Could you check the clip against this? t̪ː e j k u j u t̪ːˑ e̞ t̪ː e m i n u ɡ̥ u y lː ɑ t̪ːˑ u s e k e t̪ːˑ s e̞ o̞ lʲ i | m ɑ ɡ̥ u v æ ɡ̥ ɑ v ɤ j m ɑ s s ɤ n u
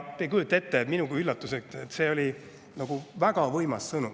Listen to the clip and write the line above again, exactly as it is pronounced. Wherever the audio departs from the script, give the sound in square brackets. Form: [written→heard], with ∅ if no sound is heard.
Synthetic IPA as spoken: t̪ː e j k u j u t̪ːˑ e̞ t̪ː e m i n u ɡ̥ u y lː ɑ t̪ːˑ u s e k e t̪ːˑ s e̞ o̞ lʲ i | [m→n] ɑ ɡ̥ u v æ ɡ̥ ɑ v ɤ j m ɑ s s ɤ n u